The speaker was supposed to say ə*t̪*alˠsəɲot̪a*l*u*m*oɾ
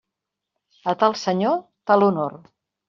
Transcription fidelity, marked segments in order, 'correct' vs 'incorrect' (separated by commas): correct, correct, incorrect